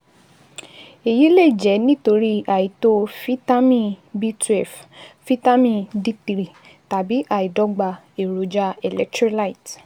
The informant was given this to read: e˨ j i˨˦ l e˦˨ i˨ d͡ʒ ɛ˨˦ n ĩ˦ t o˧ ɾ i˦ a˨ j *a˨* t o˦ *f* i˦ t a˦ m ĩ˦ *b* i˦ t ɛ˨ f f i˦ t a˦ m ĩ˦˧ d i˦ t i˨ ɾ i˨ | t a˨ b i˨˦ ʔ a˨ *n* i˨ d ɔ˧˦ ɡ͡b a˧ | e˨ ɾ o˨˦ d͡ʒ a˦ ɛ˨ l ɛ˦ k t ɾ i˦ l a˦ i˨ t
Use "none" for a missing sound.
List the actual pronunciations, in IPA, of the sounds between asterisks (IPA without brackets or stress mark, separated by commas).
i˨, f, b, none